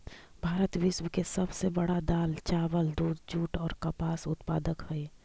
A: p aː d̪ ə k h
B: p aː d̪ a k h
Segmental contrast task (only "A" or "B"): A